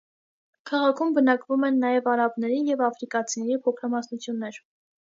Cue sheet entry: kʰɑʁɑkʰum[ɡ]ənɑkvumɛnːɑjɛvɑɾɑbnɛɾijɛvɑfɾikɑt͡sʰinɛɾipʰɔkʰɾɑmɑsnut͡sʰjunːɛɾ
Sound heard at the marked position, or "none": b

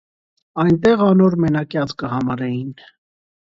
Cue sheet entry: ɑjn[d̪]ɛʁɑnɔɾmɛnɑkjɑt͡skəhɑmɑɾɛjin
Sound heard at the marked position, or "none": t̪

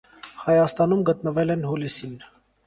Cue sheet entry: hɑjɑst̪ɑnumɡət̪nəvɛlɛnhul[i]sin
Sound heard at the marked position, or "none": i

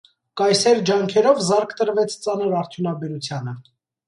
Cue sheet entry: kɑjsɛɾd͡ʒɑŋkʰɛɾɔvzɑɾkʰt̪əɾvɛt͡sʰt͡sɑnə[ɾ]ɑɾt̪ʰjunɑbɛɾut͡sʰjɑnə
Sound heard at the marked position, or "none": ɾ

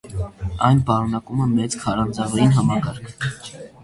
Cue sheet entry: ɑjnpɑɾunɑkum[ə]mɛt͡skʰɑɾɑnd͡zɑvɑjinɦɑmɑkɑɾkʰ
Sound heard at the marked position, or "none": ə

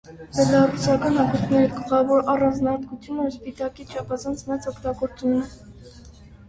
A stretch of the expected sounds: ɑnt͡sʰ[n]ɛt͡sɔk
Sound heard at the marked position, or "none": m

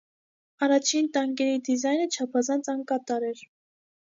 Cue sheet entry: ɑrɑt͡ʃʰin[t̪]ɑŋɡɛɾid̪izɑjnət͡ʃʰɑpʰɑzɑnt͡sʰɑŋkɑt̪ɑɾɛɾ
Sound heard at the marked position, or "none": t̪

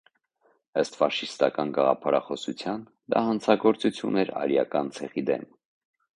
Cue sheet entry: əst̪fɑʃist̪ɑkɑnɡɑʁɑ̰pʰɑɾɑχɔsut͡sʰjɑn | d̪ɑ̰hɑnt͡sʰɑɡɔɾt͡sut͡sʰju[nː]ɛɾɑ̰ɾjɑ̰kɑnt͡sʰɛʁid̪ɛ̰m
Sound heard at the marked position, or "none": n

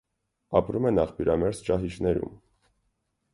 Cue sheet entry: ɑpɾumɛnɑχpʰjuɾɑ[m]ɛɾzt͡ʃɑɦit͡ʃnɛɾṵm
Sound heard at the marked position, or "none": m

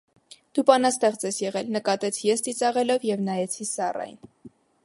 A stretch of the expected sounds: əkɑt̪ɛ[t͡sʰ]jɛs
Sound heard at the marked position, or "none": t͡sʰ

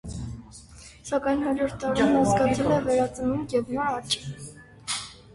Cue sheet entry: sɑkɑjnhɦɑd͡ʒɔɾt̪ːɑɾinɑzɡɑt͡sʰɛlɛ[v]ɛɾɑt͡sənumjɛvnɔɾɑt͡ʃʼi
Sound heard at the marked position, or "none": v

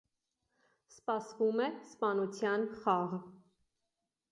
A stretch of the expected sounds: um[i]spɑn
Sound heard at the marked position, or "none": ɛ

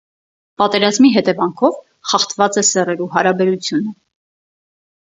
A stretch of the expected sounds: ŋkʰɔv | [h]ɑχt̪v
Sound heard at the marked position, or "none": χ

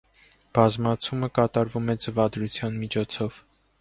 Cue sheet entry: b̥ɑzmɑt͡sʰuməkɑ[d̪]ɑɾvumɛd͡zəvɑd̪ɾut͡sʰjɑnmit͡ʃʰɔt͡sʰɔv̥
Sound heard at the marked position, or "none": t̪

